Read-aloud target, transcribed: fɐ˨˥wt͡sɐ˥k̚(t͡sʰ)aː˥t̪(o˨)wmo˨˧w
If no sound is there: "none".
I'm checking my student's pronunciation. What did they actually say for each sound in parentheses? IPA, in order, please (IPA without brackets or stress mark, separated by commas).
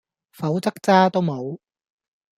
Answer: t͡s, o˥